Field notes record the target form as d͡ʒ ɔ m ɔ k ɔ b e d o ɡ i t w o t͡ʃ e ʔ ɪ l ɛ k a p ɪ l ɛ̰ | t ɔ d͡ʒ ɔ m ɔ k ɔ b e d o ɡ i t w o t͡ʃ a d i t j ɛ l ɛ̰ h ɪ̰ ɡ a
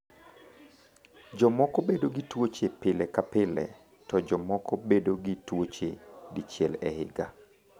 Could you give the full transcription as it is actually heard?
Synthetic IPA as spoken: d͡ʒ ɔ m ɔ k ɔ b e d o ɡ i t w o t͡ʃ e p ɪ l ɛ k a p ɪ l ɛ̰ | t ɔ d͡ʒ ɔ m ɔ k ɔ b e d o ɡ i t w o t͡ʃ e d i t͡ʃ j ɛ l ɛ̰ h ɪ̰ ɡ a